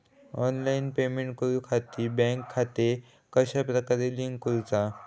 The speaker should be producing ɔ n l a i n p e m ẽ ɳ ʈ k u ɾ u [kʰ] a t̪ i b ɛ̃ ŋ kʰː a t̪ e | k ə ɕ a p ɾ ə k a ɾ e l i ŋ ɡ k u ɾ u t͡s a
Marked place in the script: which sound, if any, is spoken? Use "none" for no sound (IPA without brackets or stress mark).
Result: kʰ